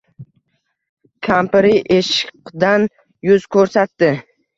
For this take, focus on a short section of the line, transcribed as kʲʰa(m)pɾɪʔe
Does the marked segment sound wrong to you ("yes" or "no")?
no